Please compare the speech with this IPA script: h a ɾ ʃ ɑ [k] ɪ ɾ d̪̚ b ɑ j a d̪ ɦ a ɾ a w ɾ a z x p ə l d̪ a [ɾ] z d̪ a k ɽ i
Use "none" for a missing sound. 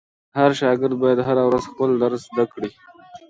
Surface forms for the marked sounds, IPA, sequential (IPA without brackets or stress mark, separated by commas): ɡ, ɾ